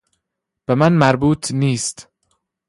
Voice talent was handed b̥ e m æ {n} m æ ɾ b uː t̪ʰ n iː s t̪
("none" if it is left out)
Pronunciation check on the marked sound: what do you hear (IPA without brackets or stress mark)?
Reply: n